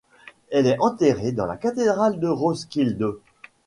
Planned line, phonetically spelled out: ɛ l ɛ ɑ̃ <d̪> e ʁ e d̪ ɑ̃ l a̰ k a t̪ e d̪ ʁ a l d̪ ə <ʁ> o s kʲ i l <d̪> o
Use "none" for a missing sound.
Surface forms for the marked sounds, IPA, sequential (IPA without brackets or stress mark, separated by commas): t̪, ʁ, d̪